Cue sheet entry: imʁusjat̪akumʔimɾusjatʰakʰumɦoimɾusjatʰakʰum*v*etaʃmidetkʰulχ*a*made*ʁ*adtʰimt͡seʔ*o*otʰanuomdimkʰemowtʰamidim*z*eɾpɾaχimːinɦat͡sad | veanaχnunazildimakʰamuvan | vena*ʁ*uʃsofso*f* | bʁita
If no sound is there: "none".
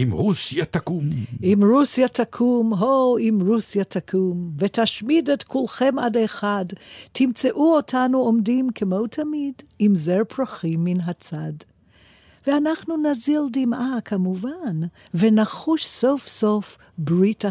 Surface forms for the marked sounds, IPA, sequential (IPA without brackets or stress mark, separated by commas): v, e, χ, u, z, χ, f